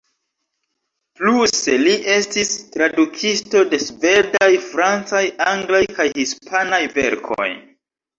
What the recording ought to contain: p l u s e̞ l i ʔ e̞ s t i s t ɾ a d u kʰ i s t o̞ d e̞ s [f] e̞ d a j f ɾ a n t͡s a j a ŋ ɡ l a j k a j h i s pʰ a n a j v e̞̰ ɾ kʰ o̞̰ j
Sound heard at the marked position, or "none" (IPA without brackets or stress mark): v